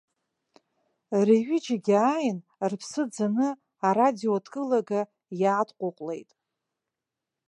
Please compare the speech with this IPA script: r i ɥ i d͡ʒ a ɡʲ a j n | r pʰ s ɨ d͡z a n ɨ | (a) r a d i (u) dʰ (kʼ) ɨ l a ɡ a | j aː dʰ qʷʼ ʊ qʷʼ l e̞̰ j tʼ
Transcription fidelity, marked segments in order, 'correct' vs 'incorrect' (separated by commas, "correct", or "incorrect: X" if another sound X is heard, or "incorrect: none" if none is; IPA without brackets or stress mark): correct, incorrect: o, correct